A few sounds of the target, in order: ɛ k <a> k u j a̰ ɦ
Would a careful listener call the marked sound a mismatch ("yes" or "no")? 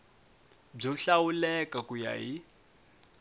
no